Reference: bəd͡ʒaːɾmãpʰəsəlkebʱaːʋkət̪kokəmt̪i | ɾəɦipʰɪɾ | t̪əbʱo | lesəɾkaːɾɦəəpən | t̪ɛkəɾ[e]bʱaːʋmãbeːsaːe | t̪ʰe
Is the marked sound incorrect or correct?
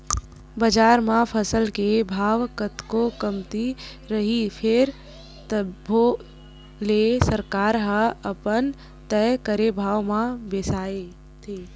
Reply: correct